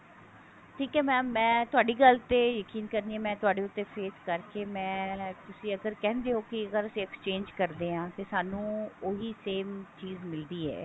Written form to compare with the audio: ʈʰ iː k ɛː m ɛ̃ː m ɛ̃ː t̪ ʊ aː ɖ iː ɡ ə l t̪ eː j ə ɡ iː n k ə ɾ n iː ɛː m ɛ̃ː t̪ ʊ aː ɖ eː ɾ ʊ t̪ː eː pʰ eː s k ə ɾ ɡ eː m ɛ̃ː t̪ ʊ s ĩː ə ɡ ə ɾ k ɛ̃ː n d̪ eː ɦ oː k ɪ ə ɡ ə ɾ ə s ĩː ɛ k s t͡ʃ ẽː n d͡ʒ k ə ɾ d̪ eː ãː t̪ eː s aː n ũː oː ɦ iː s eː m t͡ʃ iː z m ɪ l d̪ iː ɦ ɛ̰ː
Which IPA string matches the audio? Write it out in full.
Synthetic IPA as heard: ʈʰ iː k ɛː m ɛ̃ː m ɛ̃ː t̪ ʊ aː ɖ iː ɡ ə l t̪ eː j ə k iː n k ə ɾ n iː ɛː m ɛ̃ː t̪ ʊ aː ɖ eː ʊ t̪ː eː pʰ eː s k ə ɾ k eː m ɛ̃ː t̪ ʊ s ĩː ə ɡ ə ɾ k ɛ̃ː n d̪ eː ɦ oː k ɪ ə ɡ ə ɾ ə s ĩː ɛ k s t͡ʃ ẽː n d͡ʒ k ə ɾ d̪ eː ãː t̪ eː s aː n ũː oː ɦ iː s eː m t͡ʃ iː z m ɪ l d̪ iː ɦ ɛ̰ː